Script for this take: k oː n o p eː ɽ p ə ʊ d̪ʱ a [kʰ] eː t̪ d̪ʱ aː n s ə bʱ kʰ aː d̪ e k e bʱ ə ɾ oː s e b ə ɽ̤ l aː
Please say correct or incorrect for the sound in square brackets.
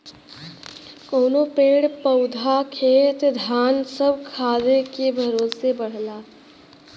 correct